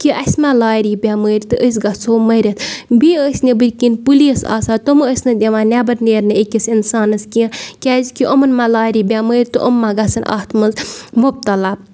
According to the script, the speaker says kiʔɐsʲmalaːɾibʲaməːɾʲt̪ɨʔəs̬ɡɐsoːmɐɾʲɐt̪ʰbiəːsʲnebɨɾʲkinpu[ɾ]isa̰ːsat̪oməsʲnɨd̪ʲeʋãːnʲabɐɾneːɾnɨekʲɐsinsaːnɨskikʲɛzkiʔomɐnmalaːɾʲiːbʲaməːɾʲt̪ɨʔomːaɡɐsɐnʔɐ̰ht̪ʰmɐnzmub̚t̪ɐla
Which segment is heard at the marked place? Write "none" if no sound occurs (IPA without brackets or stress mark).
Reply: l